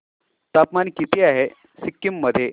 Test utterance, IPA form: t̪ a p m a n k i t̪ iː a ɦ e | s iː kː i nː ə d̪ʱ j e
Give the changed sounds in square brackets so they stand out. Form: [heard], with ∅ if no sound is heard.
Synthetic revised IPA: t̪ a p m a n k i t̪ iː a ɦ e | s [i] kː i [mː] ə d̪ʱ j e